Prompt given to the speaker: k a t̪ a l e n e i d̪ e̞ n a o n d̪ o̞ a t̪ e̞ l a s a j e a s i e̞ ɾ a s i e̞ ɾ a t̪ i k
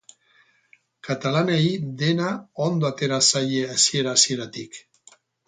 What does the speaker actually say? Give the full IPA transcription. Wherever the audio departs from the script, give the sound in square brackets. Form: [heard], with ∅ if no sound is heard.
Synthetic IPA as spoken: k a t̪ a l [a] n e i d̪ e̞ n a o n d̪ o̞ a t̪ e̞ [ɾ] a s a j e a s i e̞ ɾ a s i e̞ ɾ a t̪ i k